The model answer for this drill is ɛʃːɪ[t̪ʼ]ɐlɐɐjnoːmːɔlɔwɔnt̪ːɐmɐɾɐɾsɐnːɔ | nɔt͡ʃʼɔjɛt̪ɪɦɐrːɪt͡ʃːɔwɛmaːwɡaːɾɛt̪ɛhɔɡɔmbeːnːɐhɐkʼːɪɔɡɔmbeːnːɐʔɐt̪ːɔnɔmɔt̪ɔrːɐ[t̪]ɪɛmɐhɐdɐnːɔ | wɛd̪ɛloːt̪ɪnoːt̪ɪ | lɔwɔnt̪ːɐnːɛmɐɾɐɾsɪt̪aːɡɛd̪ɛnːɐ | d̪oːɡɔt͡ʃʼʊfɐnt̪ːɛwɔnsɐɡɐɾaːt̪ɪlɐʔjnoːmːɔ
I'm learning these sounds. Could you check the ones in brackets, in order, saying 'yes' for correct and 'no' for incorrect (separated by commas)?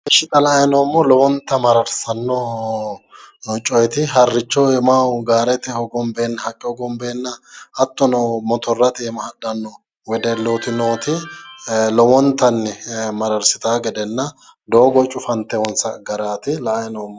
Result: no, yes